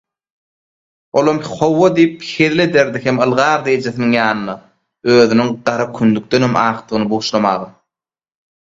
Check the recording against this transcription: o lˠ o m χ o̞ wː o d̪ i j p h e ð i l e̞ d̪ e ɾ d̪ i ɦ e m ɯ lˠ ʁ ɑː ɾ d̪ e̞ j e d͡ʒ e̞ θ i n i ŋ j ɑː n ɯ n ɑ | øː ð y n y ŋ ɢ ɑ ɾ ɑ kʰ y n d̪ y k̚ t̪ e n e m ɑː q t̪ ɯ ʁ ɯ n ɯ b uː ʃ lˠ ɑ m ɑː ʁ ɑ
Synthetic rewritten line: o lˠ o m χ o̞ wː o d̪ i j p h e ð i l e̞ d̪ e ɾ d̪ i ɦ e m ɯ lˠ ʁ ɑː ɾ d̪ e̞ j e d͡ʒ e̞ θ i n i ŋ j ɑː n ɯ n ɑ | øː ð y n y ŋ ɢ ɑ ɾ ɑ kʰ y n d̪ y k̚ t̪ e n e m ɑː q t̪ ɯ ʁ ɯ n ɯ b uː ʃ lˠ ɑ m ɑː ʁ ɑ